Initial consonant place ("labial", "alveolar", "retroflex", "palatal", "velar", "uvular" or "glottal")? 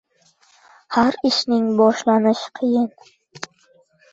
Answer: glottal